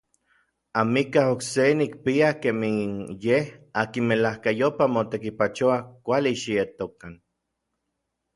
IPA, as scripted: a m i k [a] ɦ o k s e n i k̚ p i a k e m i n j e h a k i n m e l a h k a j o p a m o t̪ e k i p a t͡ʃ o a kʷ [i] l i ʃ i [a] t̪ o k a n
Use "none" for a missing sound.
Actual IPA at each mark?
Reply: a, a, e

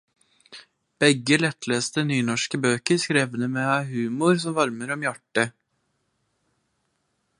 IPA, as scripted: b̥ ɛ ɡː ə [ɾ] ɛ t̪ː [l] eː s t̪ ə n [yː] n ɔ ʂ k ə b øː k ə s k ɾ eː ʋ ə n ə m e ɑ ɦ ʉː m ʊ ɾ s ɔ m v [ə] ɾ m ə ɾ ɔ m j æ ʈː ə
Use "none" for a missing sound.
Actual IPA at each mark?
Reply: l, l, yː, ɑ

